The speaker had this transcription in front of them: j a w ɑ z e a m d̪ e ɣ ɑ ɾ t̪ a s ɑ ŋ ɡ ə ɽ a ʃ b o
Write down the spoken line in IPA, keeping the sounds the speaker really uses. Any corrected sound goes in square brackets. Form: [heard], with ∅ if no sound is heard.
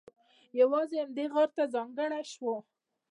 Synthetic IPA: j a w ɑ z e a m d̪ e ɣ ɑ ɾ t̪ a [z] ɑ ŋ ɡ ə ɽ a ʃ [w] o